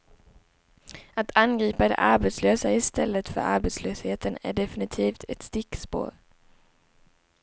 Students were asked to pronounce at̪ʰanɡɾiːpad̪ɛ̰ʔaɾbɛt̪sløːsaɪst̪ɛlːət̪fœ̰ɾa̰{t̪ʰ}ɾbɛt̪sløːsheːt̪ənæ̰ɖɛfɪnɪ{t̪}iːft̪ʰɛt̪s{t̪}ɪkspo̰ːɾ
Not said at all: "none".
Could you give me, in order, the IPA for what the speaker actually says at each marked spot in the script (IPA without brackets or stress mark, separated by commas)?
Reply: none, t̪ʰ, t̪